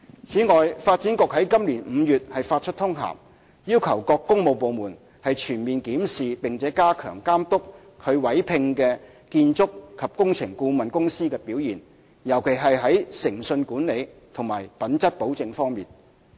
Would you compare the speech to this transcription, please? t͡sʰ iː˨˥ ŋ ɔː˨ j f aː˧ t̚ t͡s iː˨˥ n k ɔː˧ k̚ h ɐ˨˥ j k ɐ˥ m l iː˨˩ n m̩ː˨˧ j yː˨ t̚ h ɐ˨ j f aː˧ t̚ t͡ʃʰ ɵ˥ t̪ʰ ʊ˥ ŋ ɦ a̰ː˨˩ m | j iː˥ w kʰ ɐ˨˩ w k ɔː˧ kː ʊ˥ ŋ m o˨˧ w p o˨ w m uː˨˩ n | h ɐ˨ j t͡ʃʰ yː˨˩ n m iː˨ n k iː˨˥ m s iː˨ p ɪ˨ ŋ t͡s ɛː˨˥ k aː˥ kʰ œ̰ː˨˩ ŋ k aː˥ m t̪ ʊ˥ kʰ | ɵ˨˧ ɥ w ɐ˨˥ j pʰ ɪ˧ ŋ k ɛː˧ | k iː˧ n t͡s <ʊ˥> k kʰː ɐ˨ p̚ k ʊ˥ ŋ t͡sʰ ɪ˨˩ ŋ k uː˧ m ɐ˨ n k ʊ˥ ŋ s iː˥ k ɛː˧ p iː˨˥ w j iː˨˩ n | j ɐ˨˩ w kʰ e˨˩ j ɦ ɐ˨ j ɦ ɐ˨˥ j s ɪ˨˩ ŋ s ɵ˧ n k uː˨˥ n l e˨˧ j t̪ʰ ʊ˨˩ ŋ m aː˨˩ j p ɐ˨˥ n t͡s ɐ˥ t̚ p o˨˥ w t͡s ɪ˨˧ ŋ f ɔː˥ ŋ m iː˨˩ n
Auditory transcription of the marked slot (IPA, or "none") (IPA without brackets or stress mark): ʊ˥